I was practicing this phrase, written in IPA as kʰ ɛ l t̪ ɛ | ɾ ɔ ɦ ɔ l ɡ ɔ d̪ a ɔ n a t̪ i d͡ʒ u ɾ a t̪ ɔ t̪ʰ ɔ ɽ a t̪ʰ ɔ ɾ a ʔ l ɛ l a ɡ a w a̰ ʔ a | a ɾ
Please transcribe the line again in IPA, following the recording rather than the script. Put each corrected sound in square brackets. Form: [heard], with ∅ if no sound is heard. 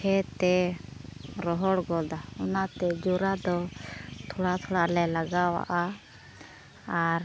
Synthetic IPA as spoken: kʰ ɛ [∅] t̪ ɛ | ɾ ɔ ɦ ɔ [ɽ] ɡ ɔ d̪ a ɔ n a t̪ [ɛ] d͡ʒ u ɾ a [d̪] ɔ t̪ʰ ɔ ɽ a t̪ʰ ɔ [ɽ] a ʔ l ɛ l a ɡ a w a̰ ʔ a | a ɾ